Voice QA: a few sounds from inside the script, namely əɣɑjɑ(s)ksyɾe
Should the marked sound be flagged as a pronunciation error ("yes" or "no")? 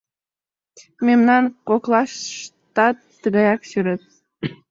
yes